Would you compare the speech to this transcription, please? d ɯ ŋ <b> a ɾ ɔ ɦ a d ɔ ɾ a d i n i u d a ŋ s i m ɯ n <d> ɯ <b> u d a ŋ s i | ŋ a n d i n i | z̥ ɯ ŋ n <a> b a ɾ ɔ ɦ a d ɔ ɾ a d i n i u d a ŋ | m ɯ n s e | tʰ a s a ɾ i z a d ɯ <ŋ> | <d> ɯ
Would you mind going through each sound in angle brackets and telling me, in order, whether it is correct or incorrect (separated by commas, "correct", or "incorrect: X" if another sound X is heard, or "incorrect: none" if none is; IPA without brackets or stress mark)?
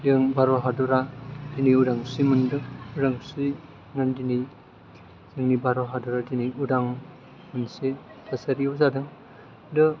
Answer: correct, correct, incorrect: none, incorrect: i, correct, correct